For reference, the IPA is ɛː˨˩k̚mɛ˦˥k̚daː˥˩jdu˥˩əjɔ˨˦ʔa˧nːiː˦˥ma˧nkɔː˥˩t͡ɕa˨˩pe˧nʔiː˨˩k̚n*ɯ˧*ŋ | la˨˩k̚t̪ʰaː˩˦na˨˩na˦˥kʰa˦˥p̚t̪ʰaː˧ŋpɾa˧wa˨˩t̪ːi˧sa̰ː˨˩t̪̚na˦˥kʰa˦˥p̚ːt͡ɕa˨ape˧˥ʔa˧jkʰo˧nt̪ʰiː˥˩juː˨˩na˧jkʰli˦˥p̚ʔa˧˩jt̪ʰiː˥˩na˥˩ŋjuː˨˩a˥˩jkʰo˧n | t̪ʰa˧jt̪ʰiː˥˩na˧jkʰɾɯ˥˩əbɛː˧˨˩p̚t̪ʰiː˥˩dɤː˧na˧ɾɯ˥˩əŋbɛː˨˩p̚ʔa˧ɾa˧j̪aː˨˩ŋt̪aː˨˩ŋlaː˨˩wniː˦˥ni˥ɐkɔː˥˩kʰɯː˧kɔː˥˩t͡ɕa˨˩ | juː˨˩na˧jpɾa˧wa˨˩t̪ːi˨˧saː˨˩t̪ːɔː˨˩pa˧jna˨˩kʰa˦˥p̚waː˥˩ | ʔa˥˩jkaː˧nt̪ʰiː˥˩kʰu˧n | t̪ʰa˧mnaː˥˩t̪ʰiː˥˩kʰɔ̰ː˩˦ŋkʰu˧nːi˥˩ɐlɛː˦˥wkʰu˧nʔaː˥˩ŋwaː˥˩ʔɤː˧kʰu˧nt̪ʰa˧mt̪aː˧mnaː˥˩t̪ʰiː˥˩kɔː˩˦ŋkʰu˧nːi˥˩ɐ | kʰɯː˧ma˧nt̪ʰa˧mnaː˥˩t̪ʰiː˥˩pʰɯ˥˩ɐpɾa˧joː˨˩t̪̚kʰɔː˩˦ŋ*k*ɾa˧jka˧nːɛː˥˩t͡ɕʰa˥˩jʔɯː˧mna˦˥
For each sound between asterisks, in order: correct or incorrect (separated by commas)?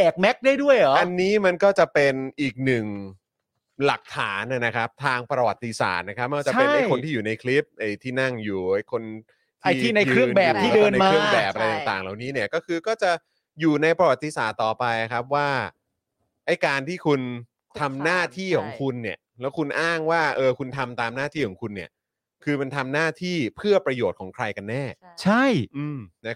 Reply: incorrect, incorrect